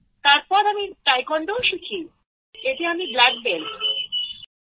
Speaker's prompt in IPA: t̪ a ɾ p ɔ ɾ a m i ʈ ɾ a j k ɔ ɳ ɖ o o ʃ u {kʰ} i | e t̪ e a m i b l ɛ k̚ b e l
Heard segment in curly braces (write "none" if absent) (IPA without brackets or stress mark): kʰ